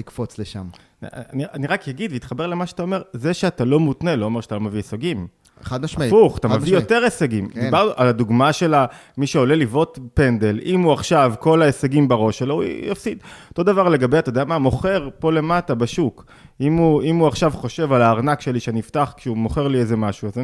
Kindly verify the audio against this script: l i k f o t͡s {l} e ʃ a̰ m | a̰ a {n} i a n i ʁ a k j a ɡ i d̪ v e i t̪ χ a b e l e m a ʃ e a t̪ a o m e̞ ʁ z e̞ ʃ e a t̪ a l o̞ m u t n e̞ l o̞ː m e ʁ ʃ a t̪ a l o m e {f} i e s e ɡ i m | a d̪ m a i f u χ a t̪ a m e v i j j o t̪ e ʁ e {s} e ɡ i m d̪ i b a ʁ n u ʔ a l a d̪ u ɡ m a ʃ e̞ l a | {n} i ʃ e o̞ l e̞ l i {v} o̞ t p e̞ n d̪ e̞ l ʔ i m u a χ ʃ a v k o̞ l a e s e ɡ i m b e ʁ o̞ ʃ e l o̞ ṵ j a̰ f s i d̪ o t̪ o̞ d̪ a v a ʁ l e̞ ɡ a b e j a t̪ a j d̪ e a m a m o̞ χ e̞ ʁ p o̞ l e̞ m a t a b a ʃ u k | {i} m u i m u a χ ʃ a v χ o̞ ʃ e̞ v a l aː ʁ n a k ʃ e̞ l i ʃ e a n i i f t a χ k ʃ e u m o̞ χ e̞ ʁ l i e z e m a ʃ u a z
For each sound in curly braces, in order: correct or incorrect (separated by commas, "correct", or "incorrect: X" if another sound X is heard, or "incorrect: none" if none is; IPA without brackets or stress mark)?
correct, correct, incorrect: v, correct, incorrect: m, correct, correct